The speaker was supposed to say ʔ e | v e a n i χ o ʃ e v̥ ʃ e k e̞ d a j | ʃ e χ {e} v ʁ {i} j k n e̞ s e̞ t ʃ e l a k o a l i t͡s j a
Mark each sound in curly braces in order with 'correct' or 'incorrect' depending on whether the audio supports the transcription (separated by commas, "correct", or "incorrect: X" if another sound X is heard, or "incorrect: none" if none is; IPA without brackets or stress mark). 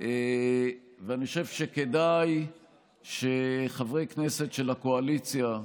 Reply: incorrect: a, incorrect: e